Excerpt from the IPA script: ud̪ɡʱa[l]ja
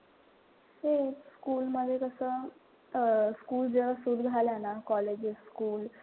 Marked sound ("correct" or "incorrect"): correct